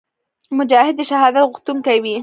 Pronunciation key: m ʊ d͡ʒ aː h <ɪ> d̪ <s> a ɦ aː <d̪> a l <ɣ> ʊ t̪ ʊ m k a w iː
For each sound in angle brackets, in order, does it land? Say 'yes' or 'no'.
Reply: yes, no, yes, yes

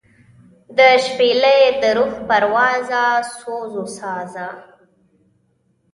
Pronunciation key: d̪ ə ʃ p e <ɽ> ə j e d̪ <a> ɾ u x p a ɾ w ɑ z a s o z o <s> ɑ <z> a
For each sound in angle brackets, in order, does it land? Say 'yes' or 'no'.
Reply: no, no, yes, yes

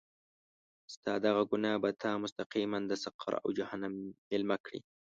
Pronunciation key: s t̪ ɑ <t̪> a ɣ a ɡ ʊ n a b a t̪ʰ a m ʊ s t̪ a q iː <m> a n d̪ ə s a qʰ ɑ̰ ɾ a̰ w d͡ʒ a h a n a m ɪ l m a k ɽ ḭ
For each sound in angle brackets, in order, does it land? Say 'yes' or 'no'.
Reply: no, yes

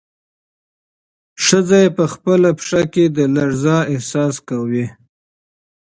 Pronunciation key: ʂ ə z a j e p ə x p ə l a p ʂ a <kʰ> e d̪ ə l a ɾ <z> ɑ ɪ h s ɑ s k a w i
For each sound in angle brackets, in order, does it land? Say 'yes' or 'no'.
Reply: no, yes

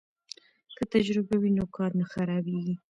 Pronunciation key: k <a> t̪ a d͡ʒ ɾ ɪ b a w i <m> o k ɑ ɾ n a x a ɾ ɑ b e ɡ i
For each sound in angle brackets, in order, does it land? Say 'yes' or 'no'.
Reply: no, no

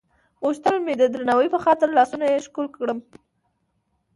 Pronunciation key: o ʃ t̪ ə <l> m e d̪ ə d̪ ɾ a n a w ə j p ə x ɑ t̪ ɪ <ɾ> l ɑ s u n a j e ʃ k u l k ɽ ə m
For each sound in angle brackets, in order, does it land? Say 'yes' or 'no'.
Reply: yes, yes

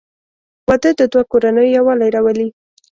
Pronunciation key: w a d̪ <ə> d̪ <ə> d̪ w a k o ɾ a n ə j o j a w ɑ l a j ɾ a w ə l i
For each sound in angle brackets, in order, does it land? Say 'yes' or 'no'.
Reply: yes, yes

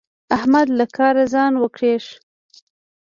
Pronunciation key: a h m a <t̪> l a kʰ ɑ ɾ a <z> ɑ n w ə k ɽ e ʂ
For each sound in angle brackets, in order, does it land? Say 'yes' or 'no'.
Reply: no, yes

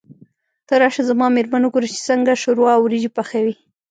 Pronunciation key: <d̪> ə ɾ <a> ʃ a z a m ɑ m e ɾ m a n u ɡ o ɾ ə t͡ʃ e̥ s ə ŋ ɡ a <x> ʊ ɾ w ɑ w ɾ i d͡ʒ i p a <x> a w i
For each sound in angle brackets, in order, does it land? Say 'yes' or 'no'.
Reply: no, no, no, yes

